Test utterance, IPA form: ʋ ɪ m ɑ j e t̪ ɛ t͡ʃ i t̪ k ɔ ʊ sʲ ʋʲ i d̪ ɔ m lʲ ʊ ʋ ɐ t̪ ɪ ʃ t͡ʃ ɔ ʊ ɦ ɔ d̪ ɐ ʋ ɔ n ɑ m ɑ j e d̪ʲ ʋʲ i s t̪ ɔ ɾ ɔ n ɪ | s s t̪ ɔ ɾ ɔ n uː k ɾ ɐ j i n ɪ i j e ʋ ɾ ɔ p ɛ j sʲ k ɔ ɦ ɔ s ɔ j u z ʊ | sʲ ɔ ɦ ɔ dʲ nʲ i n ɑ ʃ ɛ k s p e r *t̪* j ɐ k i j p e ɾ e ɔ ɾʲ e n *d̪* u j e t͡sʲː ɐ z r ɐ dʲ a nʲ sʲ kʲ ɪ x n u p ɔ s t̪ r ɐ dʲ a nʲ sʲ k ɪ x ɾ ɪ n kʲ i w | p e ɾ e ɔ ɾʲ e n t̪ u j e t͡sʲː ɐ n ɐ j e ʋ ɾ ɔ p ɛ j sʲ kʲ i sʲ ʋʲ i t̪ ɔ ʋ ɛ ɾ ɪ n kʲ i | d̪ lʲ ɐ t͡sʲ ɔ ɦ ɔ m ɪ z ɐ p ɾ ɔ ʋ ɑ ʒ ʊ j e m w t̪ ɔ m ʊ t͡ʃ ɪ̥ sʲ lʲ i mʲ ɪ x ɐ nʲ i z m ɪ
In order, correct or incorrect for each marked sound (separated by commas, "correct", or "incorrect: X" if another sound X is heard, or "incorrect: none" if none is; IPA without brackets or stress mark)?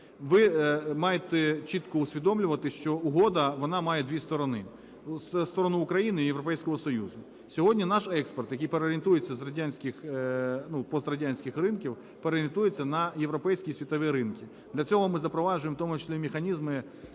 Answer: correct, incorrect: t̪